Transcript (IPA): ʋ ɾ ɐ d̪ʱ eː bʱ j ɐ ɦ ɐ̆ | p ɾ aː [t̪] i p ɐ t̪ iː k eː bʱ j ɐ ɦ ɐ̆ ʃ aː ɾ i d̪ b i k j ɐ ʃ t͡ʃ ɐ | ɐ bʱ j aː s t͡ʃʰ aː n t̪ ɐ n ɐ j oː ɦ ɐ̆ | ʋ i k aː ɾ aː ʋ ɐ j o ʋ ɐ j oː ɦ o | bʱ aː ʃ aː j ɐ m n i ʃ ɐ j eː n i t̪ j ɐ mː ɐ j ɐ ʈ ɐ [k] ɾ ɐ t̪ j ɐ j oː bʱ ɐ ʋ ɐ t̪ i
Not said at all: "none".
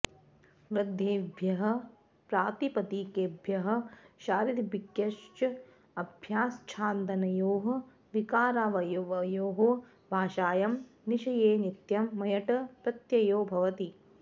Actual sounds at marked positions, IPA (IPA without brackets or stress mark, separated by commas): t̪, p